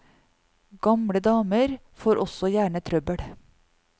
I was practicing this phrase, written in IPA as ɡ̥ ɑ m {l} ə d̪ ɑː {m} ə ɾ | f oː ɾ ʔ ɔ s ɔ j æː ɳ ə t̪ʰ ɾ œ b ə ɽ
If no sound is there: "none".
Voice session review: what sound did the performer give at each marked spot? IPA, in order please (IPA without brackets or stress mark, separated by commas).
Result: ɽ, m